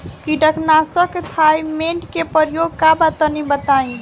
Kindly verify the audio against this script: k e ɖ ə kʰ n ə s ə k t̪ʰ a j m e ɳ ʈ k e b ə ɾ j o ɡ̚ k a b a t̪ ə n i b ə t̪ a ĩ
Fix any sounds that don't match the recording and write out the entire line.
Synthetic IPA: k i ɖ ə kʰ n a s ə k t̪ʰ a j m e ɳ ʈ k e p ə ɾ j o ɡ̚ k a b a t̪ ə n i b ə t̪ a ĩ